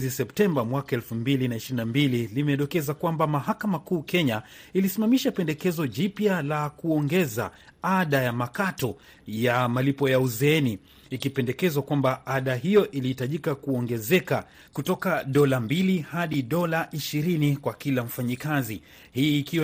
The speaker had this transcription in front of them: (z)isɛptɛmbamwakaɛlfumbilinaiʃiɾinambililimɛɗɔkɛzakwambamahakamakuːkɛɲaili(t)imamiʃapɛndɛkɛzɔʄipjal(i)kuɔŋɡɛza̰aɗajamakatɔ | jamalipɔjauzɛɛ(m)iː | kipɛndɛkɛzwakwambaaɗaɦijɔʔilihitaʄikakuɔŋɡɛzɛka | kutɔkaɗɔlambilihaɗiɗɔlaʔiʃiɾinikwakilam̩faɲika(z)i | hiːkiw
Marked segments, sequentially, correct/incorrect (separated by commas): correct, incorrect, incorrect, incorrect, correct